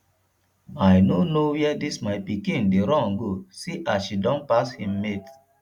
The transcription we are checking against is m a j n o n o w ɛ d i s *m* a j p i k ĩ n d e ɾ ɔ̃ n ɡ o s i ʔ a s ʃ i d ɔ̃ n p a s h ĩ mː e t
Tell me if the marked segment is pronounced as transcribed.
yes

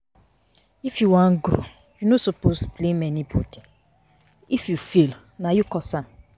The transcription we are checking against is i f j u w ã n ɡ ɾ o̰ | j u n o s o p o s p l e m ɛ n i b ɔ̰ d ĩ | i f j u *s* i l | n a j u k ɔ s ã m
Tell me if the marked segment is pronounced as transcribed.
no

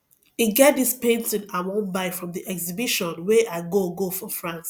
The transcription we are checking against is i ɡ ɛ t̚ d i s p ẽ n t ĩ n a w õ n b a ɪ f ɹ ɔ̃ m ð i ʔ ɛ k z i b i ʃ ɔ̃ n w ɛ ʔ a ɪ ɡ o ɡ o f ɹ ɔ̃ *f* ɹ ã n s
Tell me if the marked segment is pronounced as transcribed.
yes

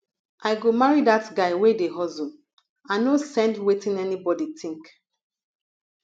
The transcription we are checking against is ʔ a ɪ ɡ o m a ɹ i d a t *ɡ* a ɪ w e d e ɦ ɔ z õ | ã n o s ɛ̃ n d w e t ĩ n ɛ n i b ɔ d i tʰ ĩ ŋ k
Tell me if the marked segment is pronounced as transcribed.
yes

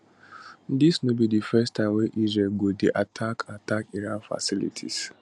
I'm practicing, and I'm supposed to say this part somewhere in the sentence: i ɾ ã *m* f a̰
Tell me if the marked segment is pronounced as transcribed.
no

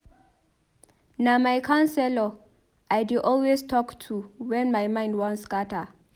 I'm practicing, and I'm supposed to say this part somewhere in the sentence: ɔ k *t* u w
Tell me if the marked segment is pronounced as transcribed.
no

